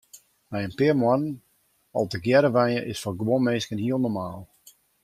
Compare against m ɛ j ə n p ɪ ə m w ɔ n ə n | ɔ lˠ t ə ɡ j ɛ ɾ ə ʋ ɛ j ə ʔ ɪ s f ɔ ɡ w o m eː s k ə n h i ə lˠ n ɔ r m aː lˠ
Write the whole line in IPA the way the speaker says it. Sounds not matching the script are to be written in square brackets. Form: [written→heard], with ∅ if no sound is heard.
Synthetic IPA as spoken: m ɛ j ə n p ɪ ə m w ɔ n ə n | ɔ lˠ t ə ɡ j ɛ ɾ ə ʋ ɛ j ə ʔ ɪ s f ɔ ɡ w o m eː s k ə n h i ə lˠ n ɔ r m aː lˠ